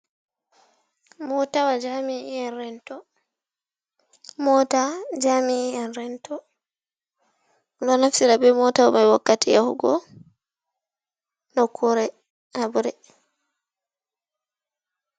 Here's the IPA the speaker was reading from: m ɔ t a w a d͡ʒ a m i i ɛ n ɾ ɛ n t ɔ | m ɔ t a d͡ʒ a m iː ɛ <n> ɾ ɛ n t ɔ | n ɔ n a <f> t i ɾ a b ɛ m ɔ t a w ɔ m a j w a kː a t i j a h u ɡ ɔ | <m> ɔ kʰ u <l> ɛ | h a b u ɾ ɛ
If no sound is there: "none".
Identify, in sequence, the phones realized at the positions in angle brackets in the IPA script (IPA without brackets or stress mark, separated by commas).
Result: n, f, n, ɾ